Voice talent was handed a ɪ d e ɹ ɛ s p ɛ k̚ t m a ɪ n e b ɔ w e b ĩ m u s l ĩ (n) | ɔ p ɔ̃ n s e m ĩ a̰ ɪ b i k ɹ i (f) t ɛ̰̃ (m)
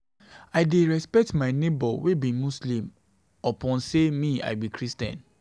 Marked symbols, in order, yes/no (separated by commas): no, no, no